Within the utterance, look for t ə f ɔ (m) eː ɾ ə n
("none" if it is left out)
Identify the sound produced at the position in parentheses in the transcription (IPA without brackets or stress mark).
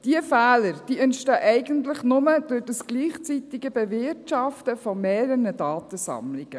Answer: m